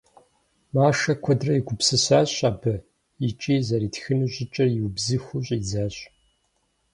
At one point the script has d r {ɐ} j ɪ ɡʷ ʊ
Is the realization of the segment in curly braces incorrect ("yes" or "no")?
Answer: no